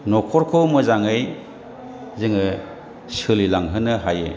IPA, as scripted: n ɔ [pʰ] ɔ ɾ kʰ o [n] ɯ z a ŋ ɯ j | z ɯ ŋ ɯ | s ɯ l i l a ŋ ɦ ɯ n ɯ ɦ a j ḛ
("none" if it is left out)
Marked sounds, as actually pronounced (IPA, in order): kʰ, m

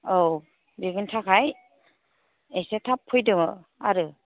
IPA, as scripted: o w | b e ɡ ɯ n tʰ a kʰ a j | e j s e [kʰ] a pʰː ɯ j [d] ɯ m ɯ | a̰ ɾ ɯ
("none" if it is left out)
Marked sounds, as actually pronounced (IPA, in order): tʰ, d

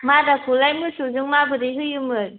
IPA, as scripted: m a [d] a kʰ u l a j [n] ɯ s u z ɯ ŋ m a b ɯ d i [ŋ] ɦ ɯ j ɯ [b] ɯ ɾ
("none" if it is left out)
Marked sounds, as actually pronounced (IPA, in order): d, m, none, m

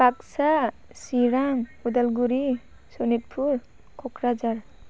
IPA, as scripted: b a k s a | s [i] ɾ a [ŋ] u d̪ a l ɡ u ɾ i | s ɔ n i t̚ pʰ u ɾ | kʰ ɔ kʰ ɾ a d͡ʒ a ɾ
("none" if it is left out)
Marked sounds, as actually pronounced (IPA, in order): i, ŋ

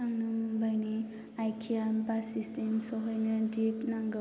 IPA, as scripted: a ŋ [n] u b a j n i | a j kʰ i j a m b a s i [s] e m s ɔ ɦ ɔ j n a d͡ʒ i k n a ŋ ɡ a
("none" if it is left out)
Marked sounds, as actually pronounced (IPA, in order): n, s

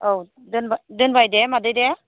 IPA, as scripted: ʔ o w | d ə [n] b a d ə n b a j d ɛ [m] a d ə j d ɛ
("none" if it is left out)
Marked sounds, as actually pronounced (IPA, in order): n, m

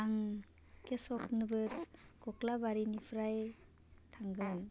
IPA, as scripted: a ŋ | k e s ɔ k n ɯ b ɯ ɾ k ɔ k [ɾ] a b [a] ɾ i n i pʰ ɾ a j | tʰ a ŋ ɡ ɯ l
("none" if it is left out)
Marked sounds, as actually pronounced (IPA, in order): l, a

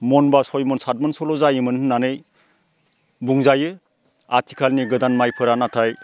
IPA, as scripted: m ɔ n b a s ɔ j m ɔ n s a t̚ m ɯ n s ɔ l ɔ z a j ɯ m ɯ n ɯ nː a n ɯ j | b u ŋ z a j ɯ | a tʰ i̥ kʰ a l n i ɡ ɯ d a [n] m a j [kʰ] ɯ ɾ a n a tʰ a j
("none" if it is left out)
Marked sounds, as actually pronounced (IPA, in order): n, pʰ

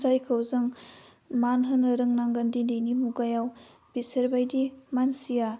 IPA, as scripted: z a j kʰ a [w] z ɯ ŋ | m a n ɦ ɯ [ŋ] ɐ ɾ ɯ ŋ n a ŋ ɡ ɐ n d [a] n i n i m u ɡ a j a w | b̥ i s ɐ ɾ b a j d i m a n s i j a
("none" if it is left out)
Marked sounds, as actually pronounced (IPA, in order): w, n, i

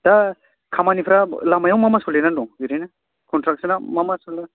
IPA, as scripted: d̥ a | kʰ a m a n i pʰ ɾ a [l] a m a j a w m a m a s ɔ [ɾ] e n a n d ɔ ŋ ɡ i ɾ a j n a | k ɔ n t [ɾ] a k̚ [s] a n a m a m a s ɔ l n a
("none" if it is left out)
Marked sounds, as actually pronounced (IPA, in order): l, l, ɾ, s

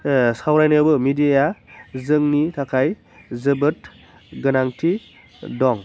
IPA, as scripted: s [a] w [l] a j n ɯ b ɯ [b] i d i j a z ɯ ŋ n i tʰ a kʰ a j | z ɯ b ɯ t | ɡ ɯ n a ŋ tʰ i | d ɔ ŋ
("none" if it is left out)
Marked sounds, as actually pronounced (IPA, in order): a, ɾ, m

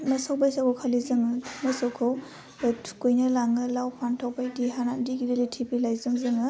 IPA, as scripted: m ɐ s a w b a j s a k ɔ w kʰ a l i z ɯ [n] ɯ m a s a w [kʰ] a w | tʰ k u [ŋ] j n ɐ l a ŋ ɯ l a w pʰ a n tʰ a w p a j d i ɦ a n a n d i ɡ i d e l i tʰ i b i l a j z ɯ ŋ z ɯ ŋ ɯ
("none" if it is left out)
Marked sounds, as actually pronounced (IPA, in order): ŋ, kʰ, none

